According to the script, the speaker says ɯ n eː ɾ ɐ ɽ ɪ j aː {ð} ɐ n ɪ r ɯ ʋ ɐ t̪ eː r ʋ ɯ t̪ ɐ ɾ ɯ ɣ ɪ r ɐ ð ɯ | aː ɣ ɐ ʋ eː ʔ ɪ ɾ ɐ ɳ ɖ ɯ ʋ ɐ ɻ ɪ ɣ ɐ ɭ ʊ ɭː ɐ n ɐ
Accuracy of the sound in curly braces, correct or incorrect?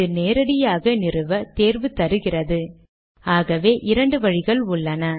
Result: incorrect